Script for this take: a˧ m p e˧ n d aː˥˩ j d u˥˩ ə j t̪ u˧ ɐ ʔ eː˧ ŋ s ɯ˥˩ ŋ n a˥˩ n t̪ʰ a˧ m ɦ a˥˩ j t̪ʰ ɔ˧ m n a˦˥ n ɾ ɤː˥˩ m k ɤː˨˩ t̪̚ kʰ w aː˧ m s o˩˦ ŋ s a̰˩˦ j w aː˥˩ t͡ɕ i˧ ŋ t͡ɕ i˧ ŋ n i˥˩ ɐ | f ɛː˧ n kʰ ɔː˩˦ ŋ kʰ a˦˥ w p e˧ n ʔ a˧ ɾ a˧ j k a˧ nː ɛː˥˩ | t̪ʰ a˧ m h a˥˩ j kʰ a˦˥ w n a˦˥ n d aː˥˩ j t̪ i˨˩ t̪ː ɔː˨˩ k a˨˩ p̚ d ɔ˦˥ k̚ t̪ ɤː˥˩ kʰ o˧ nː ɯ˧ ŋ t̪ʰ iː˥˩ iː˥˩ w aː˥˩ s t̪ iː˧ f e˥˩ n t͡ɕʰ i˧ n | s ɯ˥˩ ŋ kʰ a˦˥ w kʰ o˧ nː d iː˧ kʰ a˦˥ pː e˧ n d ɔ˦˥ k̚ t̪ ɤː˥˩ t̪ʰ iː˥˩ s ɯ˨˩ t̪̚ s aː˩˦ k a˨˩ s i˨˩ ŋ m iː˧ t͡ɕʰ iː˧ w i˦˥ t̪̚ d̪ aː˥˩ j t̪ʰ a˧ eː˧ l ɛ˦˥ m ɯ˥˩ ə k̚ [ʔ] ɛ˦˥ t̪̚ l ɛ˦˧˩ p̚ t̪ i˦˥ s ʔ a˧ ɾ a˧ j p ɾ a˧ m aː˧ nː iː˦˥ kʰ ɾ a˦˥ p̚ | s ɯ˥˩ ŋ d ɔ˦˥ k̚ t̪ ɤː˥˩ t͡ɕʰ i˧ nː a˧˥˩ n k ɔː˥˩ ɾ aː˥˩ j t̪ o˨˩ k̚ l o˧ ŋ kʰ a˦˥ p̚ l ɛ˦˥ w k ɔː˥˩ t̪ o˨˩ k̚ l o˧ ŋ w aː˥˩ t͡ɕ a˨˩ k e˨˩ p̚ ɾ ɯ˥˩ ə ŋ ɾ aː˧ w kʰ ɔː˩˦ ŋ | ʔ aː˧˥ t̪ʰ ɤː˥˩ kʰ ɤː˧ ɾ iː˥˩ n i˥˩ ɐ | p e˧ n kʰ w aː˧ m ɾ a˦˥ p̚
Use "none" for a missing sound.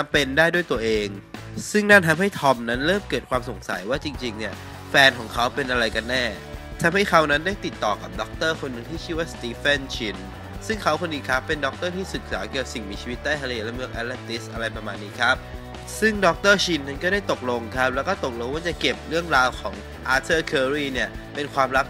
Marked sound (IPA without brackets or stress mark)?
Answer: ʔ